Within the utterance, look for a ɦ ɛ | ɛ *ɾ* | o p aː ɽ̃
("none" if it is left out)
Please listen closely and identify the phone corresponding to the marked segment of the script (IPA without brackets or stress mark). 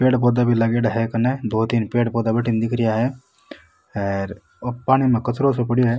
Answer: ɾ